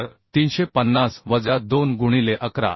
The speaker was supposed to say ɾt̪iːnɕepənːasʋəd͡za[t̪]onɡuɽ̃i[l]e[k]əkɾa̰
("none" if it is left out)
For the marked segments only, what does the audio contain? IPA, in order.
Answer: d̪, l, ʔ

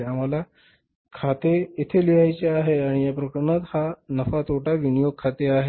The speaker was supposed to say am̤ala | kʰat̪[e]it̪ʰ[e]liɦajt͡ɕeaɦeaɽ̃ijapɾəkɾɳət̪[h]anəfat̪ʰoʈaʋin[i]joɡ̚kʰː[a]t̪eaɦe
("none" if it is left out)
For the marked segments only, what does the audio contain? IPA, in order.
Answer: e, e, h, i, a

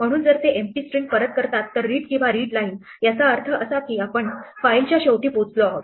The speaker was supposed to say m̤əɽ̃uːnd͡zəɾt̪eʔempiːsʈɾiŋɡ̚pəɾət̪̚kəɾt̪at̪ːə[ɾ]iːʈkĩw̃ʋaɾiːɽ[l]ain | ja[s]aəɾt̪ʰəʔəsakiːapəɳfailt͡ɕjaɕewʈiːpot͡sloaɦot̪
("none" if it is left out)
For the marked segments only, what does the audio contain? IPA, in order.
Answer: ɾː, l, t͡s

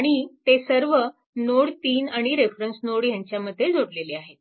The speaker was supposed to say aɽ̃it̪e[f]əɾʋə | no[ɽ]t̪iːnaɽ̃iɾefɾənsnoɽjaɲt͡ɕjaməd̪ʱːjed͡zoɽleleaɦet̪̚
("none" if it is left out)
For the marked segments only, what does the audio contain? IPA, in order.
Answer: s, ɽ

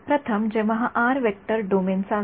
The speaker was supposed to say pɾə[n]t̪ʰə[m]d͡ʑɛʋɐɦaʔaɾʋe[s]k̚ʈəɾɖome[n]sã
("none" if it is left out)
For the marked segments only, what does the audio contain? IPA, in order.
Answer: none, m, none, n

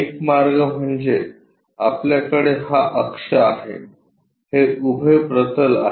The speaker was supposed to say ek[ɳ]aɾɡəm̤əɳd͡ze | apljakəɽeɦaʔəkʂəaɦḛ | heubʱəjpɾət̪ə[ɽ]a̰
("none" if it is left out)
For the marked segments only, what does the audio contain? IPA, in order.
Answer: m, l

